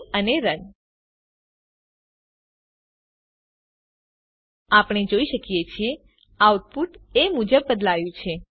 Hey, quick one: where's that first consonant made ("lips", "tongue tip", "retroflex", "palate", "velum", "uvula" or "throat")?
tongue tip